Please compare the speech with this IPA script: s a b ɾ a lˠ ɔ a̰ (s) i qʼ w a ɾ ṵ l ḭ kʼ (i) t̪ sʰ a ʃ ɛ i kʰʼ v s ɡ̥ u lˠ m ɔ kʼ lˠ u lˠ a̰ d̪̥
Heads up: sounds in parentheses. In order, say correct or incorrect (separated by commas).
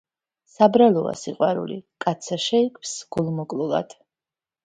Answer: correct, incorrect